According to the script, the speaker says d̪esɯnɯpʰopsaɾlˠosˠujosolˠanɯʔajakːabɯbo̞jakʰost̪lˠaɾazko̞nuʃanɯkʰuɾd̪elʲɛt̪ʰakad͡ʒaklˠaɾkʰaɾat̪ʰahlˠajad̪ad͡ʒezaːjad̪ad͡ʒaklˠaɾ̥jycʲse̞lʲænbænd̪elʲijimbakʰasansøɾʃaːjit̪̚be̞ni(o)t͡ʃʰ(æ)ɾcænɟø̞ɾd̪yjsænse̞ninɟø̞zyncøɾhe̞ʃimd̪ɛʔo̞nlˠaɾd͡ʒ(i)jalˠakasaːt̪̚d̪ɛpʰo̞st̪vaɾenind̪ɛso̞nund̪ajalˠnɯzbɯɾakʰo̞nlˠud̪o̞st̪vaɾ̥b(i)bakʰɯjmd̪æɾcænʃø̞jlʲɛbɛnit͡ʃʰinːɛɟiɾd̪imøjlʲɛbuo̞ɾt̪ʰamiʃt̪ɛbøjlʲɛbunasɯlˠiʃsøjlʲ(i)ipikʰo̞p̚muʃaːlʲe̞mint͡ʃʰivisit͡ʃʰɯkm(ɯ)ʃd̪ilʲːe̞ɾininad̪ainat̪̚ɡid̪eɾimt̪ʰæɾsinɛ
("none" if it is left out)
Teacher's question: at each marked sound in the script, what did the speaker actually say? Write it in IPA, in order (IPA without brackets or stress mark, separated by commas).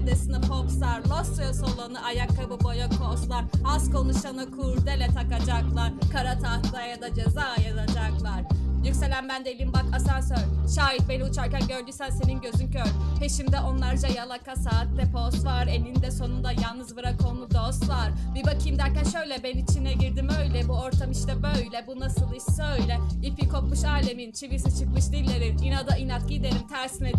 u, a, a, i, ɛ, ɯ